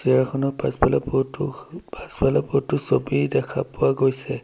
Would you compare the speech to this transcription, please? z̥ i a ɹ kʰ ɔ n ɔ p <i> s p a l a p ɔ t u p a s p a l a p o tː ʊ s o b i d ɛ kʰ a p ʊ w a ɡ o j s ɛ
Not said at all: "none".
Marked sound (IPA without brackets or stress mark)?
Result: a